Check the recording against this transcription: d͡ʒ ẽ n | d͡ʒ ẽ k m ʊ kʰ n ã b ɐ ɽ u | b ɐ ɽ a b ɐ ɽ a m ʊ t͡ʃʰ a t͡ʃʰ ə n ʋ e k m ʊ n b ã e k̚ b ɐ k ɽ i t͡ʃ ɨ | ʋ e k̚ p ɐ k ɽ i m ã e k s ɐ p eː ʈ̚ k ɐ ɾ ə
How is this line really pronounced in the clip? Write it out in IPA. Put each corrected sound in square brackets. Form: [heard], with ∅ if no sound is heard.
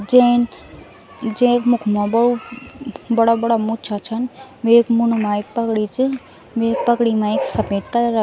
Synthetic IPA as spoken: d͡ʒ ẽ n | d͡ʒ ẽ k m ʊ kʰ [m] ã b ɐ ɽ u | b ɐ ɽ a b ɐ ɽ a m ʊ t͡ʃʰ a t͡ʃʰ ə n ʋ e k m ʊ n [m] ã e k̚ [p] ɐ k ɽ i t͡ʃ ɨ | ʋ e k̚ p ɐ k ɽ i m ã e k s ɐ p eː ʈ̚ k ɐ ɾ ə